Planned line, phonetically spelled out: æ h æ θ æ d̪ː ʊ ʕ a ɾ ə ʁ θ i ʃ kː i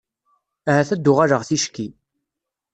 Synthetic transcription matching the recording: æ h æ θ æ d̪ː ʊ ʁ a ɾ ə ʁ θ i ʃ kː i

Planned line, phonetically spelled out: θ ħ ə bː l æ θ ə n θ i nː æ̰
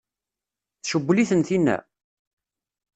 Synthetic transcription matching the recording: θ ʃ ə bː l i θ ə n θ i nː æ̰

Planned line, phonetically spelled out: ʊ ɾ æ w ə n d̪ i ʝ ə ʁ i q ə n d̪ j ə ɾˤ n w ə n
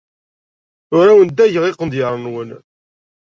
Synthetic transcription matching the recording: ʊ ɾ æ w ə n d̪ æ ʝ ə ʁ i q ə n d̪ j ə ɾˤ n w ə n

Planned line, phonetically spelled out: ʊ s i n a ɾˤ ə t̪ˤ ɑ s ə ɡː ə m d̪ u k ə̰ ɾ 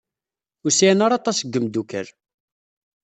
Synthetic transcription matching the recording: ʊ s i n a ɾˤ ɑ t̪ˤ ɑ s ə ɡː ə m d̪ u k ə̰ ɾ

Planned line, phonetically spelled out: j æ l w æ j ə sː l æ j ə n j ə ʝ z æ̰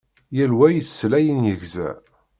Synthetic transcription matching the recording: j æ l w æ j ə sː l æ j ə n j ə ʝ z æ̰

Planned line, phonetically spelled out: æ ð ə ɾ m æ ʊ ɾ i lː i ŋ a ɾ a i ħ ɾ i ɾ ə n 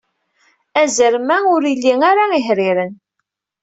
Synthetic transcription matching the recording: æ z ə ɾ m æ ʊ ɾ i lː i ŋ a ɾ a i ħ ɾ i ɾ ə n

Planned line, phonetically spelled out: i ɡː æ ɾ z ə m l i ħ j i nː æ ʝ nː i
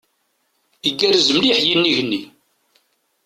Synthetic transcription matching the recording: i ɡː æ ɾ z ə m l i ħ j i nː i ʝ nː i

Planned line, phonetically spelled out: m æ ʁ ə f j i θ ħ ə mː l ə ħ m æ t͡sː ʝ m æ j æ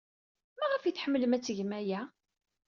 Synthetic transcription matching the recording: m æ ʁ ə f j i θ ħ ə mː l ə m æ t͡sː ʝ m æ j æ

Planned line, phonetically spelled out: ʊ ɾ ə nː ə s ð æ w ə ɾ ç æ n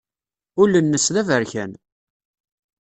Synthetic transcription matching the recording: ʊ l ə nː ə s ð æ v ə ɾ ç æ n

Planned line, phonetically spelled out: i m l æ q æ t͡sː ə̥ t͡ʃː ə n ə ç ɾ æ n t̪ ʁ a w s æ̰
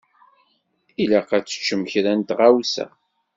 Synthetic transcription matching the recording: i l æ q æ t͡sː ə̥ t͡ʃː ə m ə ç ɾ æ n t̪ ʁ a w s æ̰

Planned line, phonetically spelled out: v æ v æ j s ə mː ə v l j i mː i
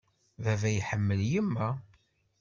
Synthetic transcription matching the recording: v æ v æ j ħ ə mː ə l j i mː æ

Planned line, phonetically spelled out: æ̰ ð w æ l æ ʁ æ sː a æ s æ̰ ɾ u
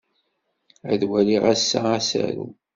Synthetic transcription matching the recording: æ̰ ð w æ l i ʁ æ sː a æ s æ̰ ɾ u

